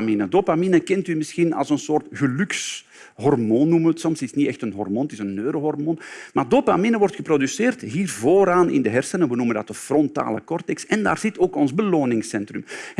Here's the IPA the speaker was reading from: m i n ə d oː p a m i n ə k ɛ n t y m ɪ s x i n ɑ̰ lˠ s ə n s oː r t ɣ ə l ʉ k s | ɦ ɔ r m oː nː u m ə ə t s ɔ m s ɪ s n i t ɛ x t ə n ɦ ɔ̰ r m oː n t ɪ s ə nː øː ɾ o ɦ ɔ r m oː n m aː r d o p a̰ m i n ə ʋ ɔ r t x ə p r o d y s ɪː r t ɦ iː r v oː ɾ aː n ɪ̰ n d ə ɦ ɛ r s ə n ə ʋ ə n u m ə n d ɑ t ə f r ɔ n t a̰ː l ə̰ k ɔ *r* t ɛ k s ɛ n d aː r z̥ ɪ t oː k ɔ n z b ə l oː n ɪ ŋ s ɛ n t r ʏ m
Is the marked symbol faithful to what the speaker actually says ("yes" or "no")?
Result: yes